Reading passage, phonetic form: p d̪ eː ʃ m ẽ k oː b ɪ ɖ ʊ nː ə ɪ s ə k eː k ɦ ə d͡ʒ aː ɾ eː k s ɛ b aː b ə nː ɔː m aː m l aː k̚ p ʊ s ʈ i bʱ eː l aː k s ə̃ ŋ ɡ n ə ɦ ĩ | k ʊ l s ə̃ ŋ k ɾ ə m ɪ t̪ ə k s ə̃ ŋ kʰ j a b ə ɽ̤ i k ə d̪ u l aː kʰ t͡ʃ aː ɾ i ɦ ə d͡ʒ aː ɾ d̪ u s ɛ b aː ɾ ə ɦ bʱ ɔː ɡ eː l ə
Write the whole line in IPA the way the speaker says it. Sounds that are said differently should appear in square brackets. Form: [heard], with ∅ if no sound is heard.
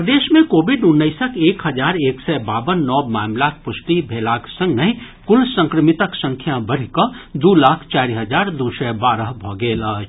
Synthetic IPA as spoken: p d̪ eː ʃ m ẽ k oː b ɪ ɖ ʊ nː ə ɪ s ə k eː k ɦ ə d͡ʒ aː ɾ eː k s ɛ b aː b ə nː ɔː m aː m l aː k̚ p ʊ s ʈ i bʱ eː l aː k s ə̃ ŋ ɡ n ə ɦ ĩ | k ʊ l s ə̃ ŋ k ɾ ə m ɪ t̪ ə k s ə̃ ŋ kʰ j a b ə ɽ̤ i k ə d̪ u l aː kʰ t͡ʃ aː ɾ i ɦ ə d͡ʒ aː ɾ d̪ u s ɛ b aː ɾ ə ɦ bʱ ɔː ɡ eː l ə

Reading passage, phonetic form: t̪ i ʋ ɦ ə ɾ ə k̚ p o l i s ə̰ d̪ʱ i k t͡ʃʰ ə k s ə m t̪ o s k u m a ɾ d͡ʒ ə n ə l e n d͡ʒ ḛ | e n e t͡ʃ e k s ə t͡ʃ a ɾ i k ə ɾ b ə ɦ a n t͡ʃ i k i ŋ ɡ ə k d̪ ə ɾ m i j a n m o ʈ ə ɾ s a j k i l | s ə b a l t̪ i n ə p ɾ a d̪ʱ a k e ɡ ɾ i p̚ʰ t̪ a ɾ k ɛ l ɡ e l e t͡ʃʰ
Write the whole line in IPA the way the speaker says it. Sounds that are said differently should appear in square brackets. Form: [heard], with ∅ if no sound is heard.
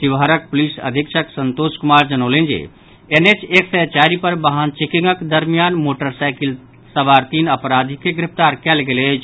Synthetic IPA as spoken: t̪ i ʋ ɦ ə ɾ ə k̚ p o l i s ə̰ d̪ʱ i k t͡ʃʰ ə k s ə [n] t̪ o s k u m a ɾ d͡ʒ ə n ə l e n d͡ʒ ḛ | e n e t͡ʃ e k s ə t͡ʃ a ɾ i [p] ə ɾ b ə ɦ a n t͡ʃ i k i ŋ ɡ ə k d̪ ə ɾ m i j a n m o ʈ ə ɾ s a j k i l | s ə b a [ɾ] t̪ i n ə p ɾ a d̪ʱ [i] k e ɡ ɾ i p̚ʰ t̪ a ɾ k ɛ l ɡ e l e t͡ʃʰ

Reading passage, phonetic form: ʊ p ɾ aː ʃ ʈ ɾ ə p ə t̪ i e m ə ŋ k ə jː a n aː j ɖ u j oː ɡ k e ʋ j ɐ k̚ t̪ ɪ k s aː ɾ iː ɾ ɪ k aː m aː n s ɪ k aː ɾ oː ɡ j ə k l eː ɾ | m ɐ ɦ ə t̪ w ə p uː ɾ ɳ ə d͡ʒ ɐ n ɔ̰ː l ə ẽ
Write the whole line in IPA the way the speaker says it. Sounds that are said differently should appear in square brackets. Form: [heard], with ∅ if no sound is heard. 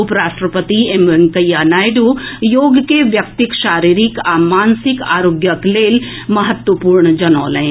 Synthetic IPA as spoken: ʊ p ɾ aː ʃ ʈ ɾ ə p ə t̪ i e m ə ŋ k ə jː a n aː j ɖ u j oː ɡ k e ʋ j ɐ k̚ t̪ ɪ k [ʃ] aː ɾ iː ɾ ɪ k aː m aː n s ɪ k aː ɾ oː ɡ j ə k l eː [l] | m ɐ ɦ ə t̪ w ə p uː ɾ ɳ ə d͡ʒ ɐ n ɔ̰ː l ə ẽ

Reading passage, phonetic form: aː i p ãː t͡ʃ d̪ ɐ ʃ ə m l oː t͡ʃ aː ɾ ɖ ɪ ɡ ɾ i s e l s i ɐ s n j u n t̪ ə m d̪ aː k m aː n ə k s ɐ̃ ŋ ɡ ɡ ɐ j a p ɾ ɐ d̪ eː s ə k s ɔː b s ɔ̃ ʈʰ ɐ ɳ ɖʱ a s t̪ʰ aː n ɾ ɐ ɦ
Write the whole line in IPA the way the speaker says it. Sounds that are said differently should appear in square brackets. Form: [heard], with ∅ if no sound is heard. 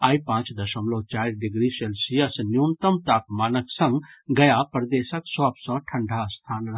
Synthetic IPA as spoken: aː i p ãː t͡ʃ d̪ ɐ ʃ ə m l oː t͡ʃ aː ɾ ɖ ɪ ɡ ɾ i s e l s i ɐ s n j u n t̪ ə m [t̪] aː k m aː n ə k s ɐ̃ ŋ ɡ ɡ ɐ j a p ɾ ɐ d̪ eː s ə k s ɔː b s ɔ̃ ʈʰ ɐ ɳ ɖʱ a s t̪ʰ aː n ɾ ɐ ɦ

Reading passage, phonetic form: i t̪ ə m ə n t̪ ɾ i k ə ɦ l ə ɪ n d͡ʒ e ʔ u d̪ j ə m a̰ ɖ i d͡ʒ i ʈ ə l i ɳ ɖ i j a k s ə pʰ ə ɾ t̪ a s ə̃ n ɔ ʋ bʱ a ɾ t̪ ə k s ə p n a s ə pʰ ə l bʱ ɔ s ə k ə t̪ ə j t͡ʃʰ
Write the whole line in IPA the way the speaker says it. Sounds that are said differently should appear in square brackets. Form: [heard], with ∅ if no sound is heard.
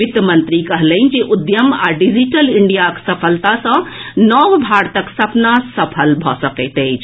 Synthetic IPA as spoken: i t̪ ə m ə n t̪ ɾ i k ə ɦ l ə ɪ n d͡ʒ e ʔ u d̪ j ə m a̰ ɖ i d͡ʒ i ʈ ə l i ɳ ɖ i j a k s ə pʰ ə [l] t̪ a s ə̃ n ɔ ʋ bʱ a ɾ t̪ ə k s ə p n a s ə pʰ ə l bʱ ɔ s ə k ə t̪ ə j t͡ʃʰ

